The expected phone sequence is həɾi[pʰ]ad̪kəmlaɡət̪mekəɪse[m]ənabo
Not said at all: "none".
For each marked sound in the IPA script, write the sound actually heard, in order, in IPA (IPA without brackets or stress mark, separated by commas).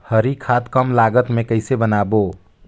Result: kʰ, b